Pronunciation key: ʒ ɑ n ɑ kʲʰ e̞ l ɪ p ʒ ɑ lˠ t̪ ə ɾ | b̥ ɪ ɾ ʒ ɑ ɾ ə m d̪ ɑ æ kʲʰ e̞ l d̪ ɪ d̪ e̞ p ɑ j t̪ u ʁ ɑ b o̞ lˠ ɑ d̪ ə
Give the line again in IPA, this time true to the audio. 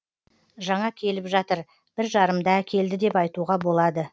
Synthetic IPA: ʒ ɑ ɴ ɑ kʲʰ e̞ l ɪ p ʒ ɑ t̪ ə ɾ | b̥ ɪ ɾ ʒ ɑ ɾ ə m d̪ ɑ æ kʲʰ e̞ l d̪ ɪ d̪ e̞ p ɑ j t̪ u ʁ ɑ b o̞ lˠ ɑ d̪ ə

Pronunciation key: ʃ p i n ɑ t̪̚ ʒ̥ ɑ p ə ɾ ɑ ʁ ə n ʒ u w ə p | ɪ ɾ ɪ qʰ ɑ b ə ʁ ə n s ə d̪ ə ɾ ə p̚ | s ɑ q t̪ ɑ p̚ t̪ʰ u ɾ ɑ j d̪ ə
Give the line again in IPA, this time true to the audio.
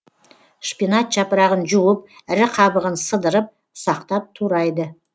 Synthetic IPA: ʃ p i n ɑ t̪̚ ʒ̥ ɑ p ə ɾ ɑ ʁ ə n ʒ u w ə p | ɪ ɾ ɪ qʰ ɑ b ə ʁ ə n s ə d̪ ə ɾ ə p̚ | s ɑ q t̪ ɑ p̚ t̪ʰ u ɾ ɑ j d̪ ə

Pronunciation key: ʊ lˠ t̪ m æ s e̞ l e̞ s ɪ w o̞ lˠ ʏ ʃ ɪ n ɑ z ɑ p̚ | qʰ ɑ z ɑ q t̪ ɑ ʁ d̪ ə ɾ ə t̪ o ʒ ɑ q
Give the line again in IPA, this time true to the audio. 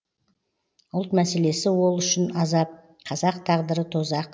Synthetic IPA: ʊ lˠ t̪ m æ s e̞ l e̞ s ɪ w o̞ lˠ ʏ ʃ ɪ n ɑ z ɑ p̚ | qʰ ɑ z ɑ q t̪ʰ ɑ ʁ d̪ ə ɾ ə t̪ʰ o z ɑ q

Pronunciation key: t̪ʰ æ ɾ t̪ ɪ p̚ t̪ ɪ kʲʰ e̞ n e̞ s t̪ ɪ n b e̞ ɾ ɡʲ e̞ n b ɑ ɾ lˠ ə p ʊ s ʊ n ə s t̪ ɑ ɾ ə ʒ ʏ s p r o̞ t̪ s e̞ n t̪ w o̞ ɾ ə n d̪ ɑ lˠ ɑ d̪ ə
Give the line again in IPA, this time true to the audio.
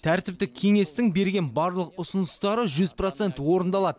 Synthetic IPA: t̪ʰ æ ɾ t̪ ɪ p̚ t̪ ɪ kʲʰ e̞ ŋ e̞ s t̪ ɪ ŋ b e̞ ɾ ɡʲ e̞ n b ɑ ɾ lˠ ə q ʊ s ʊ n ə s t̪ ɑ ɾ ə ʒ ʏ z p r o̞ t̪ s e̞ n t̪ w o̞ ɾ ə n d̪ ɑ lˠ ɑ d̪ ə

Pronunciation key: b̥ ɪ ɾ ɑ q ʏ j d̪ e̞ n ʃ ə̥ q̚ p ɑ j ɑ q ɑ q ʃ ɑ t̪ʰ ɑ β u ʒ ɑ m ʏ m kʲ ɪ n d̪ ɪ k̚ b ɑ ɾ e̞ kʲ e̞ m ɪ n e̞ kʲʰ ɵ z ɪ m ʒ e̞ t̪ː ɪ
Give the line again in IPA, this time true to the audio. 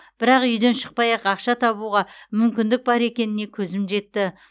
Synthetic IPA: b̥ ɪ ɾ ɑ q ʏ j d̪ e̞ n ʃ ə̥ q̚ p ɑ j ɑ q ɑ q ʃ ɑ t̪ʰ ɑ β u ʁ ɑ m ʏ m kʲ ɪ n d̪ ɪ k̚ b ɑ ɾ e̞ kʲ e̞ n ɪ n e̞ kʲʰ ɵ z ɪ m ʒ e̞ t̪ː ɪ

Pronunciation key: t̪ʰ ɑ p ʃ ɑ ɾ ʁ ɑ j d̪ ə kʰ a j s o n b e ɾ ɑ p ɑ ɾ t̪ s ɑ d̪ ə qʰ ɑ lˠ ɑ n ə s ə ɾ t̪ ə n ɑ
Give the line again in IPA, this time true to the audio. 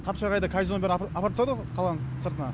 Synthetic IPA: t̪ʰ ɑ p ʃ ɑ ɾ ʁ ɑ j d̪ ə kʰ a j z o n b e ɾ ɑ p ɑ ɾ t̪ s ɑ d̪ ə qʰ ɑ lˠ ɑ n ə s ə ɾ t̪ ə n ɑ

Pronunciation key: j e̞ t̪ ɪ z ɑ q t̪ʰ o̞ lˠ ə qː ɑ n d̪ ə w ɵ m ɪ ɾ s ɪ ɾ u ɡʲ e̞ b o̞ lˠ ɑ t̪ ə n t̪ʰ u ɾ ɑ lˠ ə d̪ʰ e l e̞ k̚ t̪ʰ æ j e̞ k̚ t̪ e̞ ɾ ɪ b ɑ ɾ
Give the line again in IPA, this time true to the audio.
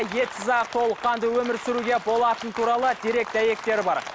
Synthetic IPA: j e̞ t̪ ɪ z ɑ q t̪ʰ o̞ lˠ ə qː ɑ n d̪ ə w ɵ m ɪ ɾ s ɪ ɾ u ɡʲ e̞ b o̞ lˠ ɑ t̪ ə n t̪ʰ u ɾ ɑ lˠ ə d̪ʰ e ɾ e̞ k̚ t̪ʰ æ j e̞ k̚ t̪ e̞ ɾ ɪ b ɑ ɾ

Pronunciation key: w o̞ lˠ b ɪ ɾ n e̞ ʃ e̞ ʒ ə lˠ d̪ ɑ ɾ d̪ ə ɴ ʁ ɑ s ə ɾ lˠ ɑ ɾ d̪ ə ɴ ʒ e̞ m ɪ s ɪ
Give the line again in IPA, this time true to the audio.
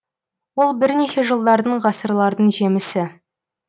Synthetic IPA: w o̞ lˠ b ɪ ɾ n e̞ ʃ e̞ ʒ ə lˠ d̪ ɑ ɾ d̪ ə ɴ ʁ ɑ s ə ɾ lˠ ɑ ɾ d̪ ə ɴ ʒ e̞ m ɪ s ɪ

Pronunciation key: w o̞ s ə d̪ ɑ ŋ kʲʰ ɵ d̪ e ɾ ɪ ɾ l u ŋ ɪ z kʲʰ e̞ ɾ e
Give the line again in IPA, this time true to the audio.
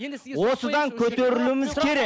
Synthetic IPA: w o̞ s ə d̪ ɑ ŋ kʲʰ ɵ t̪ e ɾ ɪ l u m ɪ z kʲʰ e̞ ɾ e

